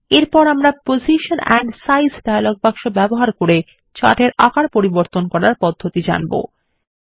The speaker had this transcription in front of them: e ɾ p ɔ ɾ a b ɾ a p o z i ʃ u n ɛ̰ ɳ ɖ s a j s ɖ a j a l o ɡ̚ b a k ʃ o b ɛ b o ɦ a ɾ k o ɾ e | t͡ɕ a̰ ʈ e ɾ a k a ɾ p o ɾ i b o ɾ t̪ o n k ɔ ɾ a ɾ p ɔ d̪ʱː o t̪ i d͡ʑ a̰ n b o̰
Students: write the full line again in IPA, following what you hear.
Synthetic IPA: e ɾ p ɔ ɾ a m ɾ a p o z i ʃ o n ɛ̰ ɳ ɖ s a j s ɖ a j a l o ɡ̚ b a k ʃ o b ɛ b o ɦ a ɾ k o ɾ e | t͡ɕ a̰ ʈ e ɾ a k a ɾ p o ɾ i b o ɾ t̪ o n k ɔ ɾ a ɾ p ɔ d̪ʱː o t̪ i d͡ʑ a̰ n b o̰